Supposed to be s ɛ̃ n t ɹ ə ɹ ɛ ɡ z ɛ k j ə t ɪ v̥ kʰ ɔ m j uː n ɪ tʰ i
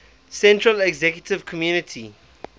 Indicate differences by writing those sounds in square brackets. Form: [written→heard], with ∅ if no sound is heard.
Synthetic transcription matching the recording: s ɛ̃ n t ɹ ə [ɹ→l] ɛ ɡ z ɛ k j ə t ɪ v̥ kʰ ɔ m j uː n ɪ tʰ i